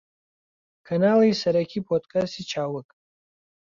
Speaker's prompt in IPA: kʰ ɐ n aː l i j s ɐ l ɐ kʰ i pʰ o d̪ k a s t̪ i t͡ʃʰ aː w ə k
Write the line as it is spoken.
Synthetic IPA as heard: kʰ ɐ n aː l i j s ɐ ɾ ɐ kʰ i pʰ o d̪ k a s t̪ i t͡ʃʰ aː w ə k